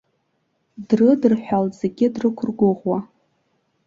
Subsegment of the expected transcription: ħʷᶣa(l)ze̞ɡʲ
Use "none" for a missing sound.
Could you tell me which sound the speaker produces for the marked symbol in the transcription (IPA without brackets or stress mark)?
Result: l